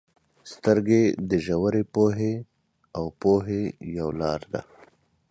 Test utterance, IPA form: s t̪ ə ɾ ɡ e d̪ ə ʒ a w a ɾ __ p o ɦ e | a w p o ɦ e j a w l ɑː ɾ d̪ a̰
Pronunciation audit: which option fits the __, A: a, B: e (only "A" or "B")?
B